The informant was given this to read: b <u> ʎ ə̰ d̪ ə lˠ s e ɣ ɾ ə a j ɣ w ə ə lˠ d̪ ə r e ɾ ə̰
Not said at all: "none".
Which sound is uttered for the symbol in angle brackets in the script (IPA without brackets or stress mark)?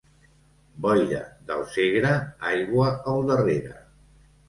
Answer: ɔ